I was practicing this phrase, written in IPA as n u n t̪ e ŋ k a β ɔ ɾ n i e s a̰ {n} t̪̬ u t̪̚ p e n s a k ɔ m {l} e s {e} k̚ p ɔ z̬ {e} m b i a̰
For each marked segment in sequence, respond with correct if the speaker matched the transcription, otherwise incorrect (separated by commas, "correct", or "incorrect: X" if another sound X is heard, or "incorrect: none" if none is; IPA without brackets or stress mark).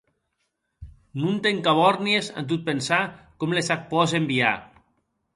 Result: correct, correct, incorrect: a, correct